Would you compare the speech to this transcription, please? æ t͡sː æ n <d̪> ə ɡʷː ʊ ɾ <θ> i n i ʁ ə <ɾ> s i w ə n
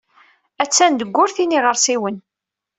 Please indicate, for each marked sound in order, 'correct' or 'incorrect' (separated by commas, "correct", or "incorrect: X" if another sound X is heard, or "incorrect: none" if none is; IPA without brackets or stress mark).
correct, correct, correct